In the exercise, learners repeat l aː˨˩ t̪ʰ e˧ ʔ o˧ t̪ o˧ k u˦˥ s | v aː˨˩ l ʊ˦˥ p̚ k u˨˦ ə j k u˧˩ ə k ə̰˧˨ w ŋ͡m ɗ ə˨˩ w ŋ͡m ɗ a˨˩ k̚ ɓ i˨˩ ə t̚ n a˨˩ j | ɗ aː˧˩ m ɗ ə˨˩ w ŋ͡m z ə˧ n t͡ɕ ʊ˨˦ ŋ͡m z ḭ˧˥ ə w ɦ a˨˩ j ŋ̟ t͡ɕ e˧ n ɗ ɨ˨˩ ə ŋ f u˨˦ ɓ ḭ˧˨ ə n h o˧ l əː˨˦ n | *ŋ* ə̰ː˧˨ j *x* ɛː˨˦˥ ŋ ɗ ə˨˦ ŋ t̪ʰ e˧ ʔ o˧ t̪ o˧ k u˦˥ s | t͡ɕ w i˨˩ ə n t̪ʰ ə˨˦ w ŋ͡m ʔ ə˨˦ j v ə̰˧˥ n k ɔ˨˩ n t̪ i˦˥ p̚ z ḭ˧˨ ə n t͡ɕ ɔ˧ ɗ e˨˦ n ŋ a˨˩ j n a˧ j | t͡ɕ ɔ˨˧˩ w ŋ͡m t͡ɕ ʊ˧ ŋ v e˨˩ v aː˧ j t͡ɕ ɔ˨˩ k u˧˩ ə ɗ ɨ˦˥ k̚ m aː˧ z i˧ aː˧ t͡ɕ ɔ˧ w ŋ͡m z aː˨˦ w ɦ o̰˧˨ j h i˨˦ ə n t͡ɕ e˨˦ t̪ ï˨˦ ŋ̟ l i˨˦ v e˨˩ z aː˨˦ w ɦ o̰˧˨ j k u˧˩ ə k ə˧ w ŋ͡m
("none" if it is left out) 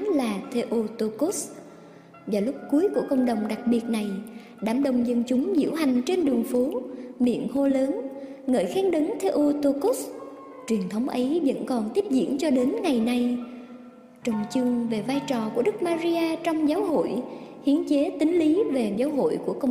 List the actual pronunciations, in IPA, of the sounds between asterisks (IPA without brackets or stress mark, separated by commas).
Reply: ŋ, x